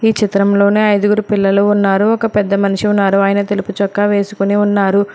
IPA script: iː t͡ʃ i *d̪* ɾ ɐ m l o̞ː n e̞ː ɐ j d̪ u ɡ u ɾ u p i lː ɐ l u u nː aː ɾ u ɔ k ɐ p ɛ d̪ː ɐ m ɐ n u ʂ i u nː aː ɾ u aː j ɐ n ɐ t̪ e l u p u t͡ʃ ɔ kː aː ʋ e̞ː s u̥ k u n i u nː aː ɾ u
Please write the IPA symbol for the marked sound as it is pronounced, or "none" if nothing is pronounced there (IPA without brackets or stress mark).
t̪